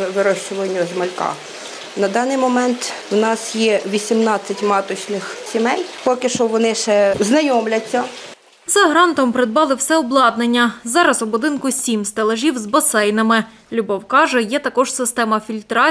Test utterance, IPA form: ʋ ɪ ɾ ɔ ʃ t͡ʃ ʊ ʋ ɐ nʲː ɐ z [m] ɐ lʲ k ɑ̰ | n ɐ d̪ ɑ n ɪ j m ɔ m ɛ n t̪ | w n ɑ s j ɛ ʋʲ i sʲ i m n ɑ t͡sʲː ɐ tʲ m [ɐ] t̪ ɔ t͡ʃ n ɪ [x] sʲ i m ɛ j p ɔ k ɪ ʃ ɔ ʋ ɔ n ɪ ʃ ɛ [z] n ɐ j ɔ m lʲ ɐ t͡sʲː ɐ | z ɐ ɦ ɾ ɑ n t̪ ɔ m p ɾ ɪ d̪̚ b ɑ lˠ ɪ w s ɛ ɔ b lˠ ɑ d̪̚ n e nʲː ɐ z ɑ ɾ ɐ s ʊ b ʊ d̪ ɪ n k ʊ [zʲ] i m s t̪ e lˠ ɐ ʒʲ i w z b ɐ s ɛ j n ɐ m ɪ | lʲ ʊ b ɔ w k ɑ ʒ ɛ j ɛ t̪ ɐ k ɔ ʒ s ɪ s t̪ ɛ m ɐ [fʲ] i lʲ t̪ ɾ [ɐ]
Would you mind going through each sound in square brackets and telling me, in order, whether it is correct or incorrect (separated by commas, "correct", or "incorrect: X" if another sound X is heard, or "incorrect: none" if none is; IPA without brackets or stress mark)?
correct, incorrect: ɑ, correct, correct, incorrect: sʲ, correct, incorrect: ɑ